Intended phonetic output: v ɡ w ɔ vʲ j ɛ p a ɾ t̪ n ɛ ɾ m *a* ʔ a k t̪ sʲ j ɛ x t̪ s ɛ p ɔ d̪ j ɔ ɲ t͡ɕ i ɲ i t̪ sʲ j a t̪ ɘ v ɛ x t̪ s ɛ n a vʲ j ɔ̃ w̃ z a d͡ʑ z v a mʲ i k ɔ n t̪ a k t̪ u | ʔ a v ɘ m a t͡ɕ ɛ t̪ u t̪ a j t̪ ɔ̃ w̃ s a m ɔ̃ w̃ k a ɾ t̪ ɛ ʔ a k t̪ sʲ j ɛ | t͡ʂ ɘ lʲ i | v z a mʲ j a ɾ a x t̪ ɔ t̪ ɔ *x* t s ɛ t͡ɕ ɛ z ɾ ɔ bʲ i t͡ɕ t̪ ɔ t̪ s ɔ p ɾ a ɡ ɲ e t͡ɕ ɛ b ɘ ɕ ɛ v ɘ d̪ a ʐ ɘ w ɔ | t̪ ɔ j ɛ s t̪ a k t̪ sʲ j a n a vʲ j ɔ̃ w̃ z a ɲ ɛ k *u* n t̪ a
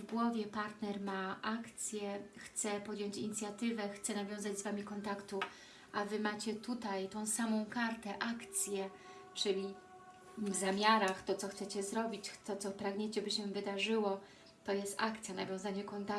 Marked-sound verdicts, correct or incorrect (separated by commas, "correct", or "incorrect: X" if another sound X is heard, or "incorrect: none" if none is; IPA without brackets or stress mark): correct, correct, incorrect: ɔ